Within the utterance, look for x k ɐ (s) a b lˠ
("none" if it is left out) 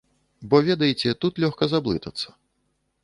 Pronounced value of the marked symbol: z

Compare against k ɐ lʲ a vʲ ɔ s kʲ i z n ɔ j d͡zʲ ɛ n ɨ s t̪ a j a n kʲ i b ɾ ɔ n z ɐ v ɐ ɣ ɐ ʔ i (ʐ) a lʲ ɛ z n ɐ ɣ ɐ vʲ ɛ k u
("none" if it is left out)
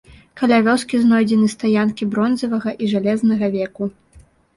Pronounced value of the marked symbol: ʐ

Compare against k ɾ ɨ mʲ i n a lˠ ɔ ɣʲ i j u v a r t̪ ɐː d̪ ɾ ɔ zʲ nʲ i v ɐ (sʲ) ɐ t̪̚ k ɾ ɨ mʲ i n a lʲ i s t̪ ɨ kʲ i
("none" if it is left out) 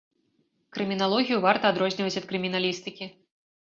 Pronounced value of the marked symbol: t͡sʲ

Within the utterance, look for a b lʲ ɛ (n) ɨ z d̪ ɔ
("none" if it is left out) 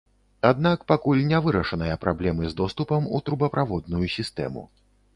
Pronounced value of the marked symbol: m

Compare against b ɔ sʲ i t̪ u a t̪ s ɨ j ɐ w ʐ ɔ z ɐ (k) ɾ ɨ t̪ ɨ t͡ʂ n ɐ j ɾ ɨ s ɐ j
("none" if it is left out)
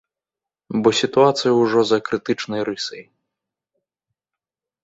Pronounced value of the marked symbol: k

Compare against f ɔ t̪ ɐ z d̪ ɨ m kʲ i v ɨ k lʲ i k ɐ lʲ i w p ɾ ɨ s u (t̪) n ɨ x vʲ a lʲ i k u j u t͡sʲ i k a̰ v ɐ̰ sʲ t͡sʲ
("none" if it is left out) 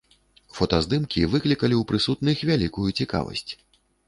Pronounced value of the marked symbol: t̪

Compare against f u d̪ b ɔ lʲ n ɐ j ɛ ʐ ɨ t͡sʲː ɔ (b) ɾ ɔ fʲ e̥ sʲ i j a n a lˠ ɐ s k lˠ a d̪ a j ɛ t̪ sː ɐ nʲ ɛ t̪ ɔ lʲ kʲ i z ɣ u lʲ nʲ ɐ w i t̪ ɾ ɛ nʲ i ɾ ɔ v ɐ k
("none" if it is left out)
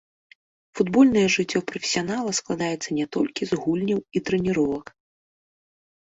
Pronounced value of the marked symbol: p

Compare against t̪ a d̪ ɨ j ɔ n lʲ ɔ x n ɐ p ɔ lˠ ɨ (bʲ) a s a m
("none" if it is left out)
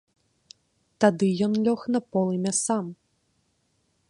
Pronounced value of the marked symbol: mʲ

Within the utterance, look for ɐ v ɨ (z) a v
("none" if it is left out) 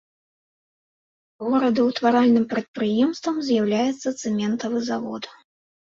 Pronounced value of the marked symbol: z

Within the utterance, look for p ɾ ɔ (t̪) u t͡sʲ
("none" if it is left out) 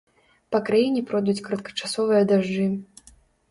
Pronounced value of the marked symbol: d̪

